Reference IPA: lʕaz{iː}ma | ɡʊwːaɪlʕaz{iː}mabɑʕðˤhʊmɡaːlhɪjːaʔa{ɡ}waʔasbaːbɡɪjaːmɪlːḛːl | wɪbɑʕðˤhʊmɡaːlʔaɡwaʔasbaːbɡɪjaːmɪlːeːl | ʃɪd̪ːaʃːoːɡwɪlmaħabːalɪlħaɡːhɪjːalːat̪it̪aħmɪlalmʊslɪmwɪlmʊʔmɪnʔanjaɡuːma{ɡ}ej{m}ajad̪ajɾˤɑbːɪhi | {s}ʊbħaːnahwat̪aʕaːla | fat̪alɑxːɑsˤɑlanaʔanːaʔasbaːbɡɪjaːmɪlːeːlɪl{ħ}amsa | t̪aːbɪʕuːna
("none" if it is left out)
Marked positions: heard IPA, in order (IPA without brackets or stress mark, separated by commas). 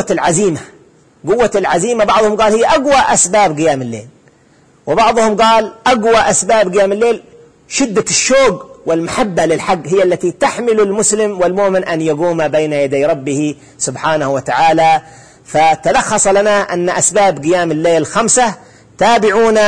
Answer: iː, iː, ɡ, b, n, s, x